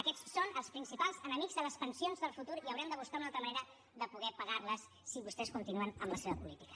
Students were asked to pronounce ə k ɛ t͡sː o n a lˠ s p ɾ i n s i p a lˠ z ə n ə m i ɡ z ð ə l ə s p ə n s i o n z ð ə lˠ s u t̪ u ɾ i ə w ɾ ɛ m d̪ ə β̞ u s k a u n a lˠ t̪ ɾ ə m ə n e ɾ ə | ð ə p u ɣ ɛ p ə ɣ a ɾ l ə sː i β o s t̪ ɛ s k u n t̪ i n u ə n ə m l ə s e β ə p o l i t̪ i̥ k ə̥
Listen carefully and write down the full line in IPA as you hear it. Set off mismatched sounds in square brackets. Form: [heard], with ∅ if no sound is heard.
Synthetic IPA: ə k ɛ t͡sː o n [ə] lˠ s p ɾ i n s i p a lˠ z ə n ə m i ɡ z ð ə l ə s p ə n s i o n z ð ə lˠ [f] u t̪ u ɾ i ə w ɾ ɛ m d̪ ə β̞ u s k a u n a lˠ t̪ ɾ ə m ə n e ɾ ə | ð ə p u ɣ ɛ p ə ɣ a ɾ l ə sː i β [u] s t̪ ɛ s k u n t̪ i n u ə n ə m l ə s e β ə p [u] l i t̪ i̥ k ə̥